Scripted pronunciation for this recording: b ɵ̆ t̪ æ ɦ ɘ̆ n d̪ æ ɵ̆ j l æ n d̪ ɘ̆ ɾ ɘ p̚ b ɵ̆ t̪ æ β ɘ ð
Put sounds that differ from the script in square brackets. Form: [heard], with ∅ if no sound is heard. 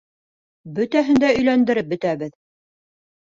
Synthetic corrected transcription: b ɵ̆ t̪ æ ɦ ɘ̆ n d̪ æ ɵ̆ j l æ n d̪ ɘ̆ ɾ ɘ p̚ b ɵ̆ t̪ æ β ɘ ð